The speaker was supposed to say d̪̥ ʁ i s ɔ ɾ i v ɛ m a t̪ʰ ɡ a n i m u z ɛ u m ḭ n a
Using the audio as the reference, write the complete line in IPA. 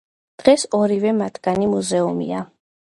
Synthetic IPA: d̪̥ ʁ ɛ s ɔ ɾ i v ɛ m a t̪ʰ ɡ a n i m u z ɛ u m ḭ a